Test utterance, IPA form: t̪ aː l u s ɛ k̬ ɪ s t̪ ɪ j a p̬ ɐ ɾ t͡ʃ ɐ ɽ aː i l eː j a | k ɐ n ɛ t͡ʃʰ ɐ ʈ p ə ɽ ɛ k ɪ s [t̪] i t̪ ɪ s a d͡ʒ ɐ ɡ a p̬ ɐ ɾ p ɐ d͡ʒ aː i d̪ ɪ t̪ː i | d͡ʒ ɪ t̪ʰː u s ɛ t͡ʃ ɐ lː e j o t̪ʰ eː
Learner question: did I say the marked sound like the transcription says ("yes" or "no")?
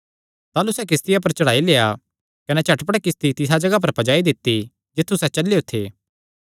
yes